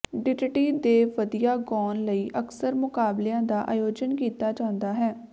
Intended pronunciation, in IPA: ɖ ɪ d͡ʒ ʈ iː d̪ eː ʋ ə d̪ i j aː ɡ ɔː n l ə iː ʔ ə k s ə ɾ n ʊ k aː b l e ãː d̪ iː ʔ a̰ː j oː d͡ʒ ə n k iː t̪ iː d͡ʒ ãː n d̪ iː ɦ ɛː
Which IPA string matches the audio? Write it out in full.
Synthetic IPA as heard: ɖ ɪ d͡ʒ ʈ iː d̪ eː ʋ ə d̪ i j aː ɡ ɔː n l ə iː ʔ ə k s ə ɾ m ʊ k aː b l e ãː d̪ aː ʔ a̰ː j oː d͡ʒ ə n k iː t̪ aː d͡ʒ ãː n d̪ aː ɦ ɛː